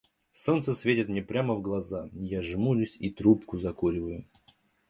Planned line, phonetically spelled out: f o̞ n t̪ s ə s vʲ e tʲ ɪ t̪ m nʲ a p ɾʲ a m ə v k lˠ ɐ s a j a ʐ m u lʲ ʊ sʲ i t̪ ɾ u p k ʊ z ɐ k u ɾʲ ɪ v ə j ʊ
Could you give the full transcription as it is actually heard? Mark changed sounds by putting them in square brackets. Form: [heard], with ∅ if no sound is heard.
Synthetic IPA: [s] o̞ n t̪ s ə s vʲ e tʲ ɪ t̪ m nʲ [e] p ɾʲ a m ə v [ɡ] lˠ ɐ [z] a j a ʐ m u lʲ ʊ sʲ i t̪ ɾ u p k ʊ z ɐ k u ɾʲ ɪ v ə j ʊ